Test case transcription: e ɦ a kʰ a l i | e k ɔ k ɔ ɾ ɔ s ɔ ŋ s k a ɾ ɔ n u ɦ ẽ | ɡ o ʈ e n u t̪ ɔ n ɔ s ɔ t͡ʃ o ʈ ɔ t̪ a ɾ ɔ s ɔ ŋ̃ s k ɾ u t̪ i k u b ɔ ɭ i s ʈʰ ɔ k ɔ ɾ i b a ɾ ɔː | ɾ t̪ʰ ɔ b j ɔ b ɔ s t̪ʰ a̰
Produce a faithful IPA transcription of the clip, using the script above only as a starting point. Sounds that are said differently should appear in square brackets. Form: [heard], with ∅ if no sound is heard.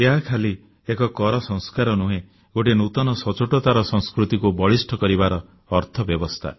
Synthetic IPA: e ɦ a kʰ a l i | e k ɔ k ɔ ɾ ɔ s ɔ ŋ s k a ɾ ɔ n u ɦ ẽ | ɡ o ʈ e n u t̪ ɔ n ɔ s ɔ t͡ʃ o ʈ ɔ t̪ a ɾ ɔ s ɔ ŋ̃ s k ɾ u t̪ i k u b ɔ ɭ i s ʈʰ ɔ k ɔ ɾ i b a ɾ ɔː | ɾ t̪ʰ ɔ b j ɔ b ɔ s t̪ʰ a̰